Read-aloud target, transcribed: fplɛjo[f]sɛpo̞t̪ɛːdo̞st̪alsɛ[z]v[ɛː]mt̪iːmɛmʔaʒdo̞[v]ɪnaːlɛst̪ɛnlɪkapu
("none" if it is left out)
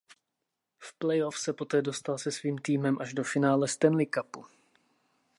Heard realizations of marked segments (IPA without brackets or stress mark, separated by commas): f, s, iː, f